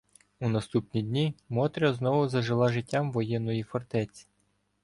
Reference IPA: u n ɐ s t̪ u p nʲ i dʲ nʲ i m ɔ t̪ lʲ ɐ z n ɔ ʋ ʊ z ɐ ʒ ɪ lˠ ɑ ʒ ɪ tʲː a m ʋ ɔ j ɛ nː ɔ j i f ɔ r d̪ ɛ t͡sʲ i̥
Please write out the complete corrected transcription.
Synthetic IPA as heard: u n ɐ s t̪ u p nʲ i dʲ nʲ i m ɔ t̪ ɾʲ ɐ z n ɔ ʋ ʊ z ɐ ʒ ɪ lˠ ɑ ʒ ɪ tʲː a m ʋ ɔ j ɛ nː ɔ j i f ɔ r t̪ ɛ t͡sʲ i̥

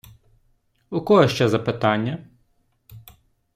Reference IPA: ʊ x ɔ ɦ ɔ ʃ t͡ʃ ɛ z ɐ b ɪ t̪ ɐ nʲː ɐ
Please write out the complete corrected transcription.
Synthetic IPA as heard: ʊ k ɔ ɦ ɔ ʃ t͡ʃ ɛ z ɐ p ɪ t̪ ɑ nʲː ɐ

